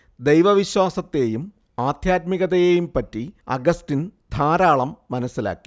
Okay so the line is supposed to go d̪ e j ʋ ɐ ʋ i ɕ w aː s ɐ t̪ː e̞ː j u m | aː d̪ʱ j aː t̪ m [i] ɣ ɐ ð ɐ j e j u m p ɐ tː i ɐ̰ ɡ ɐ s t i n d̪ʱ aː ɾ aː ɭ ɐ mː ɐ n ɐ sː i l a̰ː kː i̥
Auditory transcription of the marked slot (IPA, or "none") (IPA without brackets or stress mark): i